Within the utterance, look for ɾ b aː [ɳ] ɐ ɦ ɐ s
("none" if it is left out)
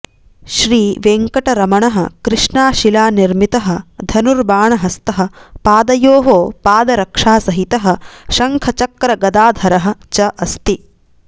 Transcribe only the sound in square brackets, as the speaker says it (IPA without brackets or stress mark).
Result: ɳ